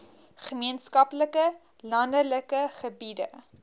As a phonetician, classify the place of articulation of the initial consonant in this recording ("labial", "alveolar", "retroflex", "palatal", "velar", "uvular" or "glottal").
uvular